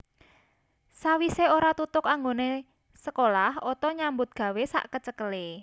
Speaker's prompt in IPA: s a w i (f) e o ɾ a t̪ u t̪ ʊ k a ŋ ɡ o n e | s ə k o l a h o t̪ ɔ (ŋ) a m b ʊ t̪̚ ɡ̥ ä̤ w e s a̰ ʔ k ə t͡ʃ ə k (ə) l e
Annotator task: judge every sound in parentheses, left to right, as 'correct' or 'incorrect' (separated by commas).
incorrect, incorrect, correct